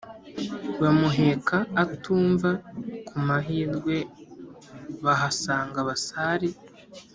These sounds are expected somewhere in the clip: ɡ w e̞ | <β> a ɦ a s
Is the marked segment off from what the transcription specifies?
no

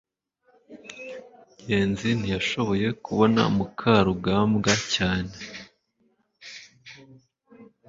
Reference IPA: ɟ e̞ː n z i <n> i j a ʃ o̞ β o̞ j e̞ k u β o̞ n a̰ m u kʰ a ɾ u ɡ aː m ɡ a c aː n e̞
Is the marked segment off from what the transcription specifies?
no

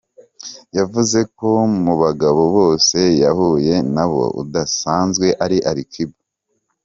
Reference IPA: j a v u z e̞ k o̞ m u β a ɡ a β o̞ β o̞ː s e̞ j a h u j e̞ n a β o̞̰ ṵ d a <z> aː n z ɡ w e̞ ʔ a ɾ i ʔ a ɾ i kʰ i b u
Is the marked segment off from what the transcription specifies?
yes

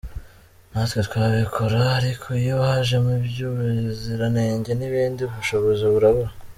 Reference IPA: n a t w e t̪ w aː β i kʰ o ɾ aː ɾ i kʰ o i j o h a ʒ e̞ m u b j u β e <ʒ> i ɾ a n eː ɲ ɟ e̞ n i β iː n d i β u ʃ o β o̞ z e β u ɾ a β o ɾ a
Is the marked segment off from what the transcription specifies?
yes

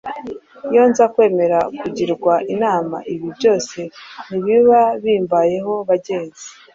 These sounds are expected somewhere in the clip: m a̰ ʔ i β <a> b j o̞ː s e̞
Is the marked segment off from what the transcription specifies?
yes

